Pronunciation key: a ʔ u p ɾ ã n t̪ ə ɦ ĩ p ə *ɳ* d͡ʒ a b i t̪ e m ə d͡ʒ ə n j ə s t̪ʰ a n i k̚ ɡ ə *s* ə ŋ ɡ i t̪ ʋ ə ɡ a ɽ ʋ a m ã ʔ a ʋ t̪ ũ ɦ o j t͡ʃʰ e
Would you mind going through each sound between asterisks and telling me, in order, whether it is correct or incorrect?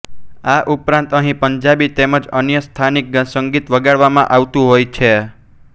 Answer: incorrect, correct

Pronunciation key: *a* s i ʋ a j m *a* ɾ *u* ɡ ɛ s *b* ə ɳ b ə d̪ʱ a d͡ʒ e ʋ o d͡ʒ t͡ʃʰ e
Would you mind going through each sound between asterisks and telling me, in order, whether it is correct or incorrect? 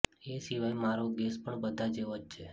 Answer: incorrect, correct, incorrect, incorrect

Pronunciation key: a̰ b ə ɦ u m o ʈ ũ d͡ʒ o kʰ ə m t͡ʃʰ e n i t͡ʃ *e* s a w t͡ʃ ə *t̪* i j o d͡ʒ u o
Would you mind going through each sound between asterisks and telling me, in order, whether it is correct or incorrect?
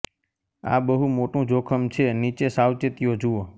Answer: correct, correct

